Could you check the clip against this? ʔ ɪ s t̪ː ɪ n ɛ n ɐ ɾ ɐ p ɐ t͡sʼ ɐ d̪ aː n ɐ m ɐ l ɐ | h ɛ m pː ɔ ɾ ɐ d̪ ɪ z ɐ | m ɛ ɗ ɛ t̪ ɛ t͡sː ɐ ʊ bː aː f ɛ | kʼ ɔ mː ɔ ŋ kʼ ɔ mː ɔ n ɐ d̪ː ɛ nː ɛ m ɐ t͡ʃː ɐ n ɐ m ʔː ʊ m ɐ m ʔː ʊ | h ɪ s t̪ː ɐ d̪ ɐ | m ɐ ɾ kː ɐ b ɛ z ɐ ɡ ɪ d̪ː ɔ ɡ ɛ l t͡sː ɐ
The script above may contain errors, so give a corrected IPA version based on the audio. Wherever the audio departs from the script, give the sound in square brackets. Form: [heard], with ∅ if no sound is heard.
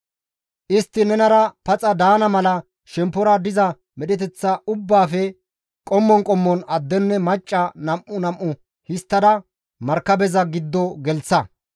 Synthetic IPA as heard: ʔ ɪ s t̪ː ɪ n ɛ n ɐ ɾ ɐ p ɐ t͡sʼ ɐ d̪ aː n ɐ m ɐ l ɐ | [ʃ] ɛ m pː ɔ ɾ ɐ d̪ ɪ z ɐ | m ɛ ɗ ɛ t̪ ɛ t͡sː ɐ ʊ bː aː f ɛ | kʼ ɔ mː ɔ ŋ kʼ ɔ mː ɔ n ɐ d̪ː ɛ nː ɛ m ɐ [t͡ʃʼː] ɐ n ɐ m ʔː ʊ [n] ɐ m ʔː ʊ | h ɪ s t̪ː ɐ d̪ ɐ | m ɐ ɾ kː ɐ b ɛ z ɐ ɡ ɪ d̪ː ɔ ɡ ɛ l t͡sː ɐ